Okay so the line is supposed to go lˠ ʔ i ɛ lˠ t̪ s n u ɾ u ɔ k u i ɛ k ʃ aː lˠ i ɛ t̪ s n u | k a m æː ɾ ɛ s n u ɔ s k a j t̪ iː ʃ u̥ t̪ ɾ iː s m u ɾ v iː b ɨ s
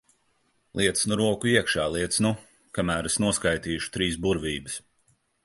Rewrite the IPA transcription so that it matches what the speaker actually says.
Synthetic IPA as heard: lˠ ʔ i ɛ t̪ s n u ɾ u ɔ k u i ɛ k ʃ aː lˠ i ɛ t̪ s n u | k a m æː ɾ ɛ s n u ɔ s k a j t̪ iː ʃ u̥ t̪ ɾ iː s b u ɾ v iː b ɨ s